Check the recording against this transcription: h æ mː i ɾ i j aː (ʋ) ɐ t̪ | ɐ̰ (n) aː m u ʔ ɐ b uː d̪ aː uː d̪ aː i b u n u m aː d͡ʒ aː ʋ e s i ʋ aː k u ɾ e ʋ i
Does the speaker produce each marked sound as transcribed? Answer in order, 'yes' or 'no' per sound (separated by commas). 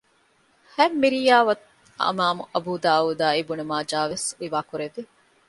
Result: yes, no